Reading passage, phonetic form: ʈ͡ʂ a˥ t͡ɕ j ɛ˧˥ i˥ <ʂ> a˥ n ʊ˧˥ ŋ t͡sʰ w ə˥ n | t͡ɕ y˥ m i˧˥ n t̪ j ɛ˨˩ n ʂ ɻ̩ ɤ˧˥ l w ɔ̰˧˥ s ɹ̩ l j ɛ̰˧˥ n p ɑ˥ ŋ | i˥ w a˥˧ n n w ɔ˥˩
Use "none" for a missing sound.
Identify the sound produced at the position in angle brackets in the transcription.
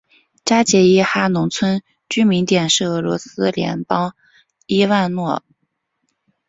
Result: x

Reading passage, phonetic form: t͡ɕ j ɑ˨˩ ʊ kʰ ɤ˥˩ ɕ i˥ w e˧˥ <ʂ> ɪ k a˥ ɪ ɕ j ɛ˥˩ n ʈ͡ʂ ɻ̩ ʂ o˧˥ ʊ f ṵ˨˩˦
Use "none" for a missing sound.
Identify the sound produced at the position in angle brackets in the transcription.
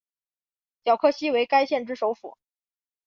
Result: none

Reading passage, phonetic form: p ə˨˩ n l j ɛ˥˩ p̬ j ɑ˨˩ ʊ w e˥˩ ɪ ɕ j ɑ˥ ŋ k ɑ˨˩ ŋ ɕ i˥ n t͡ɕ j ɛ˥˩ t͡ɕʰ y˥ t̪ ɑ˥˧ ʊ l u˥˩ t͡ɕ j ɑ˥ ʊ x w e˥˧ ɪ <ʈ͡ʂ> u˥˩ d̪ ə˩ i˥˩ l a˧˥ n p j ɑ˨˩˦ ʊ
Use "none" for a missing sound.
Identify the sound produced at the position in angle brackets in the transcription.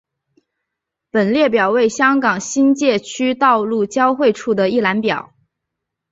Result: ʈ͡ʂʰ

